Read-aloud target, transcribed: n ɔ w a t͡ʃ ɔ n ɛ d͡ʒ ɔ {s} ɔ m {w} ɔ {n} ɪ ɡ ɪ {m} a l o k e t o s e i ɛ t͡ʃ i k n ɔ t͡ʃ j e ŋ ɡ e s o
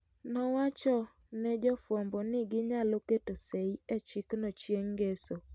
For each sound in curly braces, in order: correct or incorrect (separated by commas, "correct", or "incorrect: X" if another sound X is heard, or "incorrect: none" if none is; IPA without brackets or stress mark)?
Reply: incorrect: f, incorrect: b, correct, incorrect: ɲ